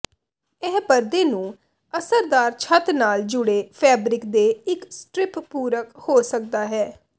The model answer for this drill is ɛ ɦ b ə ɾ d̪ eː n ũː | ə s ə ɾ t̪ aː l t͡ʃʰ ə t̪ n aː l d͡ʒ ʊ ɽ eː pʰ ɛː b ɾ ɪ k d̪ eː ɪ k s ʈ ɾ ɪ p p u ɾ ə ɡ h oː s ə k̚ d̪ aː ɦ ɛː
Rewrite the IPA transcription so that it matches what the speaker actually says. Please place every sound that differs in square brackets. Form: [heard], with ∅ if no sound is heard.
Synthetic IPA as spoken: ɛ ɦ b ə ɾ d̪ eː n ũː | ə s ə ɾ [d̪] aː [ɾ] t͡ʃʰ ə t̪ n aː l d͡ʒ ʊ ɽ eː pʰ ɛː b ɾ ɪ k d̪ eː ɪ k s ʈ ɾ ɪ p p [uː] ɾ ə [k] h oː s ə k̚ d̪ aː ɦ ɛː